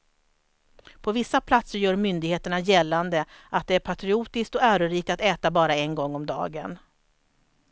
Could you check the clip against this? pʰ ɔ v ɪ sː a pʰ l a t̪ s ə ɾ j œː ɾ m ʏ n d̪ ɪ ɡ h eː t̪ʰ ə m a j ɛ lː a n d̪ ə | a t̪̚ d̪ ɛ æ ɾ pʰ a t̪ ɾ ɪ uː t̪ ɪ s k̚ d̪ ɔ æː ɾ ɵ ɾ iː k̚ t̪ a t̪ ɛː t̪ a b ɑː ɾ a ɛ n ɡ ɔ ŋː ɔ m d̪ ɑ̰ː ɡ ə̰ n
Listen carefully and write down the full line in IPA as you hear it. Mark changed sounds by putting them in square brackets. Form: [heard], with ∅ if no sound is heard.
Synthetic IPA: pʰ ɔ v ɪ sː a pʰ l a t̪ s ə ɾ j œː ɾ m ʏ n d̪ ɪ ɡ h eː [t̪] ə [ɳ] a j ɛ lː a n d̪ ə | a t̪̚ d̪ ɛ æ ɾ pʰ a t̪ ɾ ɪ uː t̪ ɪ s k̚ [t̪] ɔ æː ɾ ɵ ɾ iː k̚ t̪ a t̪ ɛː t̪ a b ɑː ɾ a ɛ n ɡ ɔ ŋː ɔ m d̪ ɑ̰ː ɡ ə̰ n